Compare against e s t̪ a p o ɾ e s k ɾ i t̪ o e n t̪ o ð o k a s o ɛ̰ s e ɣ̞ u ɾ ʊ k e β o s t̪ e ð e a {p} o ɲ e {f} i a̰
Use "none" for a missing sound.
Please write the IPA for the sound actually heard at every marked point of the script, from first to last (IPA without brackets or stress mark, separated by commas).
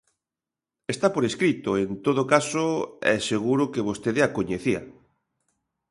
k, θ